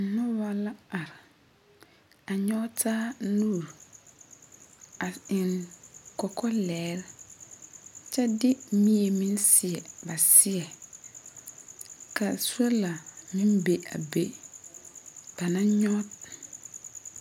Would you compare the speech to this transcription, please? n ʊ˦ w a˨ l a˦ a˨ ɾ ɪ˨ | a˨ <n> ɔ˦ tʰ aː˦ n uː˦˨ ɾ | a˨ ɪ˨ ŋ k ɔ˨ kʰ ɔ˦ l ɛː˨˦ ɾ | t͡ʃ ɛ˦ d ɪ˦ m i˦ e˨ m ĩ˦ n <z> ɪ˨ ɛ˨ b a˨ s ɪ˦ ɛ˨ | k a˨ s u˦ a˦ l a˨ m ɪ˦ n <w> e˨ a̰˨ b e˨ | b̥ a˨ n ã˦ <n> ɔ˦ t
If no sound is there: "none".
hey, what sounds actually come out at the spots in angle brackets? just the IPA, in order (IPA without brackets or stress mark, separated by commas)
ɲ, s, b, ɲ